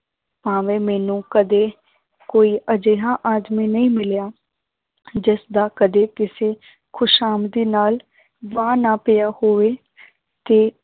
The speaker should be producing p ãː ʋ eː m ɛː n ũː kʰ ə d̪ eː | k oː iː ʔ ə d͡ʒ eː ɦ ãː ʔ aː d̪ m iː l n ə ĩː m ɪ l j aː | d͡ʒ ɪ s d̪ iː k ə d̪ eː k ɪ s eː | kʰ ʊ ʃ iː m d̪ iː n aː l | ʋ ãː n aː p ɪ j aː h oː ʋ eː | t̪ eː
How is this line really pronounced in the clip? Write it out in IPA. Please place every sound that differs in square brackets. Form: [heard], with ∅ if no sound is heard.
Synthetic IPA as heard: p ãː ʋ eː m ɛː n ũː [k] ə d̪ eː | k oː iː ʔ ə d͡ʒ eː ɦ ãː ʔ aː d̪ m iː [∅] n ə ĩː m ɪ l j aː | d͡ʒ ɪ s d̪ [aː] k ə d̪ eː k ɪ s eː | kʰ ʊ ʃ [aː] m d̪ iː n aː l | ʋ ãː n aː p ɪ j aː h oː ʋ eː | t̪ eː